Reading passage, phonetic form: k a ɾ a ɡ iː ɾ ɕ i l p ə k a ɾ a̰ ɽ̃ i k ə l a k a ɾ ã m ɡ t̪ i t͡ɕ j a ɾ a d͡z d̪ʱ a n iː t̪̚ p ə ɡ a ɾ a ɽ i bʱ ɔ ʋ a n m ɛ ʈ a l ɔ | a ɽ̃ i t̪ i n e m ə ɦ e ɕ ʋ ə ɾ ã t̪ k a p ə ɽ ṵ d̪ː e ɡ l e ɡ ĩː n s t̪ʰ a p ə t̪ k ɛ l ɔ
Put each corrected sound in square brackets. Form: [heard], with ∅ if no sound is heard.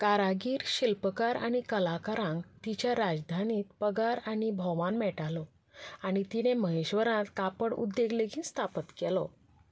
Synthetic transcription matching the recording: k a ɾ a ɡ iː ɾ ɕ i l p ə k a ɾ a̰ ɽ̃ i k ə l a k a ɾ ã [ŋ] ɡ t̪ i t͡ɕ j a ɾ a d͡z d̪ʱ a n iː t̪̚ p ə ɡ a ɾ a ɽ i bʱ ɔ ʋ a n m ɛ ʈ a l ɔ | a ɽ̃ i t̪ i n e m ə ɦ e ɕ ʋ ə ɾ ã t̪ k a p ə ɽ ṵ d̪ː e ɡ l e ɡ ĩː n s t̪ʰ a p ə t̪ k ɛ l ɔ